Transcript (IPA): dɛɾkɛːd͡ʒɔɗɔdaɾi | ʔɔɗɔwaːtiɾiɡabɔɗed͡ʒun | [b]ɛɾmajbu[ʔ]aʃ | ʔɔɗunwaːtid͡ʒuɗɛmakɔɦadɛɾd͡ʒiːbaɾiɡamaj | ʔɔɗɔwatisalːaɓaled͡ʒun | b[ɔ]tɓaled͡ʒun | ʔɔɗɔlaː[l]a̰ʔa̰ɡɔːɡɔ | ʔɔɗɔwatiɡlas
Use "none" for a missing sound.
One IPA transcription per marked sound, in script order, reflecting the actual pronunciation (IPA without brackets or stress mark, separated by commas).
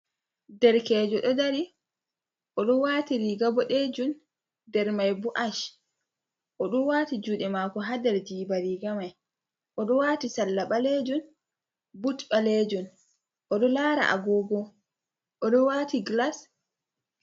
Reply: d, ʔ, u, ɾ